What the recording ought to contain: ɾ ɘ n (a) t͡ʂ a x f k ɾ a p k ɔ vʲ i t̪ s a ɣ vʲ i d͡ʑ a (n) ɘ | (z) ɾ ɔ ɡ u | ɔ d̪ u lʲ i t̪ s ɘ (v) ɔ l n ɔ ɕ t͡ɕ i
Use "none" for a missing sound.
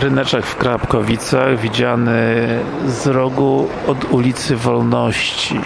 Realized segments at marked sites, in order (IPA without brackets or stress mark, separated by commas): ɛ, n, z, v